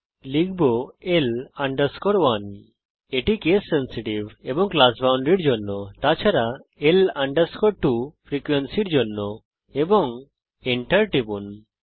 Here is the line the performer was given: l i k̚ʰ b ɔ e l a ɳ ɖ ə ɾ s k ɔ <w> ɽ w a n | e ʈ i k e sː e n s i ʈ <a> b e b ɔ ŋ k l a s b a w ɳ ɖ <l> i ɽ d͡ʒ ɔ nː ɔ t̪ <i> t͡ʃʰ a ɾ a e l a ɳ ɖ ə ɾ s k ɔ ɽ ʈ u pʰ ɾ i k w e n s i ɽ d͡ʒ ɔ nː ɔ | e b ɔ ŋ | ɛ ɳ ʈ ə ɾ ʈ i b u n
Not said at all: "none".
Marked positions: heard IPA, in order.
none, i, ɾ, a

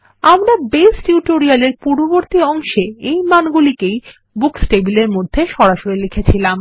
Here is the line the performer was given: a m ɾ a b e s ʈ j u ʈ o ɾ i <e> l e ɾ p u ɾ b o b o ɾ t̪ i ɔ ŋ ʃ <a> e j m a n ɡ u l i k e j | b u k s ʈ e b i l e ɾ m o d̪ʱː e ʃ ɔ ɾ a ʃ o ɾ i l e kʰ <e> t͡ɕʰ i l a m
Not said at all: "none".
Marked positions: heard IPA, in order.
a, e, e

